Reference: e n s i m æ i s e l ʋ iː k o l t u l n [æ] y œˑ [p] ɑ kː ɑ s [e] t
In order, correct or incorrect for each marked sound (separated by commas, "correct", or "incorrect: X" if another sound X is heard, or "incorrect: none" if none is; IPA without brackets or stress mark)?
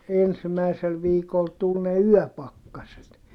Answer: incorrect: e, correct, correct